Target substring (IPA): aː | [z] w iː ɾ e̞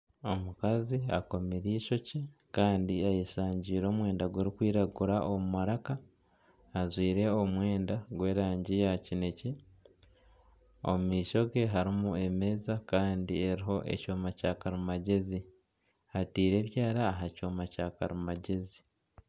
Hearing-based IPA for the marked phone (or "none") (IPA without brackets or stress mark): z